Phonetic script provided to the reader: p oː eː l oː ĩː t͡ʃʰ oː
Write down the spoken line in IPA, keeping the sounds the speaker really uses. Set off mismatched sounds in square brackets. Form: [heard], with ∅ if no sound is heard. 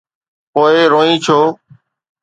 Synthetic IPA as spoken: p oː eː [ɾ] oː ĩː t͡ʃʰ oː